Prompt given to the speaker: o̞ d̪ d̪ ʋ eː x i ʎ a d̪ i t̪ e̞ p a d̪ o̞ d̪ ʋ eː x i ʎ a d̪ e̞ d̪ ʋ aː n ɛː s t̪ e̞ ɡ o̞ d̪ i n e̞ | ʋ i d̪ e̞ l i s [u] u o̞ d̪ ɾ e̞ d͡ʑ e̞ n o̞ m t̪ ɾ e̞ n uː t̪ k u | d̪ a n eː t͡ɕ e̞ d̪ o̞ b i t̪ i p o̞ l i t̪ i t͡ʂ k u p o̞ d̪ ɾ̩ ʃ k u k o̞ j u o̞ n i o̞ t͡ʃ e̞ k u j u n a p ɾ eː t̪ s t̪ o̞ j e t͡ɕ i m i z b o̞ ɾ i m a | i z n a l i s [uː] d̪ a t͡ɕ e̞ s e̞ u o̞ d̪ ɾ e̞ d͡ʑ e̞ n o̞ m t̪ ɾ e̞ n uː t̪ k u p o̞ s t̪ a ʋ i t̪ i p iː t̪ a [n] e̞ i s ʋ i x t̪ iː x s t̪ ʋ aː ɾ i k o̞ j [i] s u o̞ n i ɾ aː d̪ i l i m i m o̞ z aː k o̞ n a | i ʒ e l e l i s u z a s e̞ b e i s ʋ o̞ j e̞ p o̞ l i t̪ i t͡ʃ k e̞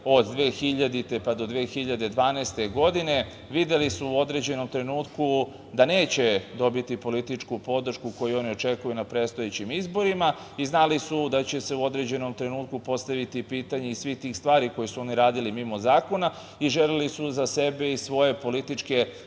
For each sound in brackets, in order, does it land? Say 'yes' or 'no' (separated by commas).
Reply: yes, no, no, no